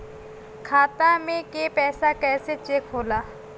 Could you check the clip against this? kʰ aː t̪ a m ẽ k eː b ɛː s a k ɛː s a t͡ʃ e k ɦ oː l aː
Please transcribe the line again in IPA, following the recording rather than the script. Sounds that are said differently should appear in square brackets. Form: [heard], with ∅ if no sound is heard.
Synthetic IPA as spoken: kʰ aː t̪ a m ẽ k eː [p] ɛː s a k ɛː s [e] t͡ʃ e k ɦ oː l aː